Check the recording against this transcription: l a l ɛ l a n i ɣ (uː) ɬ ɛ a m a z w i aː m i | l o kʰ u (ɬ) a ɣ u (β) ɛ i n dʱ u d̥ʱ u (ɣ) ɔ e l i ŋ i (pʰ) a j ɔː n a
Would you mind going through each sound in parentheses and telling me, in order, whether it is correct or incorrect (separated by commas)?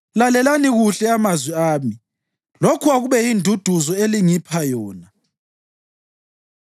incorrect, incorrect, correct, incorrect, correct